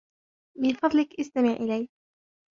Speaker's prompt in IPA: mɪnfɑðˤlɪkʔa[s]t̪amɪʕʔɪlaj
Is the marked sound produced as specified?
yes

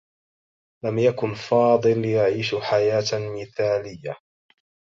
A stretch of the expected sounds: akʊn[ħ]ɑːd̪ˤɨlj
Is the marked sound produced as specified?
no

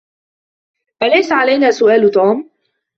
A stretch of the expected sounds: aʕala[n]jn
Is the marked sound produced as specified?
no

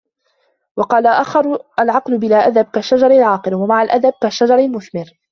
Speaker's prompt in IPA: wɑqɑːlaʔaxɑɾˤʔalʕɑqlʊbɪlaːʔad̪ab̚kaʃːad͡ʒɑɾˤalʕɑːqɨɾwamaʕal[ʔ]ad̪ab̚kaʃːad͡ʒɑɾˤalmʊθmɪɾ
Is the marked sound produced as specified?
yes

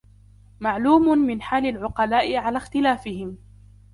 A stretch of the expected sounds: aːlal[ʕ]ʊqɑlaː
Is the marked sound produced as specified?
yes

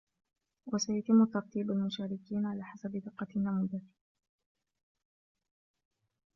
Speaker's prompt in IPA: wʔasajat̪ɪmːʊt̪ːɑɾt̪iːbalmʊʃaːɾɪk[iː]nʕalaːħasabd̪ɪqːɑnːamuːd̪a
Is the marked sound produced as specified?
yes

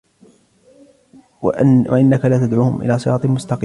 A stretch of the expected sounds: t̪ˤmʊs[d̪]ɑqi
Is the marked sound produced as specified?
no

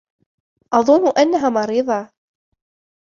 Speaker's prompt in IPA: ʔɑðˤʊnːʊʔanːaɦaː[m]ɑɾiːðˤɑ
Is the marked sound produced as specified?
yes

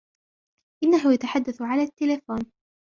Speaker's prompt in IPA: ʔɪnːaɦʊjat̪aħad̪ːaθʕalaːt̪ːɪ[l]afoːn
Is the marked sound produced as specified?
yes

